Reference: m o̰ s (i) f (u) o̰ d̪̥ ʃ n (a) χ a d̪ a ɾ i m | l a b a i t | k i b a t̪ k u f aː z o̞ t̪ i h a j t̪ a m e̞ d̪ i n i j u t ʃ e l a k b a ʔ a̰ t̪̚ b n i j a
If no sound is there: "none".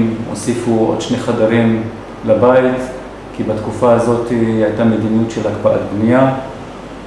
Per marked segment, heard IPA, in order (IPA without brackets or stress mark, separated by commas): i, u, e